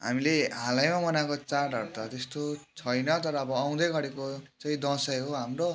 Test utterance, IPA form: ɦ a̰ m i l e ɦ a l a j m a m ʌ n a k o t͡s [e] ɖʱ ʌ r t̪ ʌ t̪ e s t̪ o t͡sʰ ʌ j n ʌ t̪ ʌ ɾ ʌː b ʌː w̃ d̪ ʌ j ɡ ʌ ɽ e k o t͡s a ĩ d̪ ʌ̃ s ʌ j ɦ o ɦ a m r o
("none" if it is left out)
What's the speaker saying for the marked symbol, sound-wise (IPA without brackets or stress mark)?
a